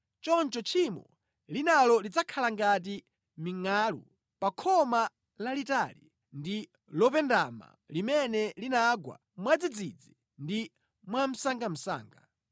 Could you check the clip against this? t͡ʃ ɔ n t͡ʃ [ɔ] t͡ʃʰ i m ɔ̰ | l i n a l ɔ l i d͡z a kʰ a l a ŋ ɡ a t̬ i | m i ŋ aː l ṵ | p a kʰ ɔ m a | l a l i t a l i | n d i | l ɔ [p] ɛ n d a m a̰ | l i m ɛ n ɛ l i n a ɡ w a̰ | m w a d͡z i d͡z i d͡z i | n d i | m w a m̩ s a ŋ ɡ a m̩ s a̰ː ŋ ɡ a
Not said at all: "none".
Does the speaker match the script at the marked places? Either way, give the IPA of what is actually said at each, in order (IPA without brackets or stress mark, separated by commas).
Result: ɔ, p